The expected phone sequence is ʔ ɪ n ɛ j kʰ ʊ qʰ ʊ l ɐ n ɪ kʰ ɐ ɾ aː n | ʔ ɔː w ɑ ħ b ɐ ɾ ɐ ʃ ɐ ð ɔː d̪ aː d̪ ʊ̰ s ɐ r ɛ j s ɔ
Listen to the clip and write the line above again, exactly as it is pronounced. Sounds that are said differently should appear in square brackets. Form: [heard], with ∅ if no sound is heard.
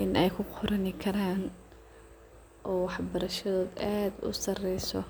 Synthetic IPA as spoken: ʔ ɪ n ɛ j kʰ ʊ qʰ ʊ [ɾ] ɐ n ɪ kʰ ɐ ɾ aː n | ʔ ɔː w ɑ ħ b ɐ ɾ ɐ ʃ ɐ ð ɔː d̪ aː d̪ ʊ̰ s ɐ r ɛ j s ɔ